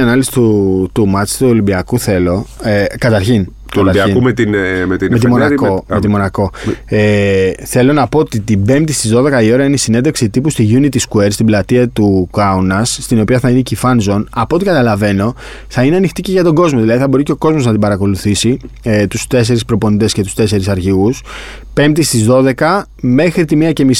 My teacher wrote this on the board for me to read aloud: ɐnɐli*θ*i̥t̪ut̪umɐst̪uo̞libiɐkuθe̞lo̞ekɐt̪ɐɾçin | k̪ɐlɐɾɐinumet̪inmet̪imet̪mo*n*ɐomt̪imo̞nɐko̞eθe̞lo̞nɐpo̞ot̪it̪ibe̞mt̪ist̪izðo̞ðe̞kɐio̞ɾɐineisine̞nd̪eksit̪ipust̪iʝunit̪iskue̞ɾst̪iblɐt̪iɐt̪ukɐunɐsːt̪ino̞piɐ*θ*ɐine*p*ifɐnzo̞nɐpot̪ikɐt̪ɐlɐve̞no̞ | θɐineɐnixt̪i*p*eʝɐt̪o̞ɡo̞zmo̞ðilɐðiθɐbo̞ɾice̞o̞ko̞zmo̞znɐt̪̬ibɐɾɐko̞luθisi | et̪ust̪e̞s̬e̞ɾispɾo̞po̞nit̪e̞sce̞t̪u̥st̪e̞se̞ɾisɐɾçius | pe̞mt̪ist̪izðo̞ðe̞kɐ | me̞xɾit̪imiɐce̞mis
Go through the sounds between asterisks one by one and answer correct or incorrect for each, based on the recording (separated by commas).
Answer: incorrect, correct, correct, incorrect, incorrect